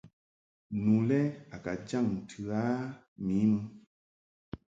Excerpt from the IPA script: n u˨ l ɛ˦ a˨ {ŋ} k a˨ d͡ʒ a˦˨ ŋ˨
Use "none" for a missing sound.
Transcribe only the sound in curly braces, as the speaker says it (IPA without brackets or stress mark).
none